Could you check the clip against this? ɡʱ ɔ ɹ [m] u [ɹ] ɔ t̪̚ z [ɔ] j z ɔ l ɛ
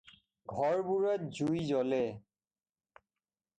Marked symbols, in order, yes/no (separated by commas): no, yes, no